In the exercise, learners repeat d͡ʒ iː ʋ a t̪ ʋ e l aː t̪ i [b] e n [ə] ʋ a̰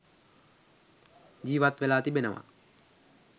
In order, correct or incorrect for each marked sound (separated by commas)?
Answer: correct, correct